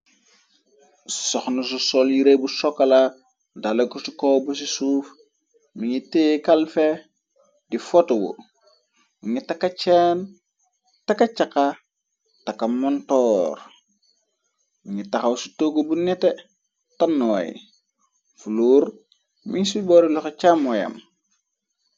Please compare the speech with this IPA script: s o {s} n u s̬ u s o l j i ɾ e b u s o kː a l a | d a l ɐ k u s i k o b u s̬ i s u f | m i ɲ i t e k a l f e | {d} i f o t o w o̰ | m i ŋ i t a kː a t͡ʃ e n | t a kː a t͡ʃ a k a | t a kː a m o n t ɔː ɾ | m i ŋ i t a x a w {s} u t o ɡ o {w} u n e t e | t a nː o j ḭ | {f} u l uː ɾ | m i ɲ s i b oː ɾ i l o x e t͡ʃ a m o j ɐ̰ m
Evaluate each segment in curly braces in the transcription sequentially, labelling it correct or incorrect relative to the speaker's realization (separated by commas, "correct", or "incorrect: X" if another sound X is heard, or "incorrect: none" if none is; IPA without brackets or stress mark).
incorrect: x, correct, correct, incorrect: b, correct